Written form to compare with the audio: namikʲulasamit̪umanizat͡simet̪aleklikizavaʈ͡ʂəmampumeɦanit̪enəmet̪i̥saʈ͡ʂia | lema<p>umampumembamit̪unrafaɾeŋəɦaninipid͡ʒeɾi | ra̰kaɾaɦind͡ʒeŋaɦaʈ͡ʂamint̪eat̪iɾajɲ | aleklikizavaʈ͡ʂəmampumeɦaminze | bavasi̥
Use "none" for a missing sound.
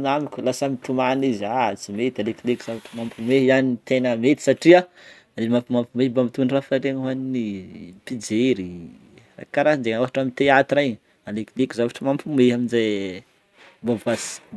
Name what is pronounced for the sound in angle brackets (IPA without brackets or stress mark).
p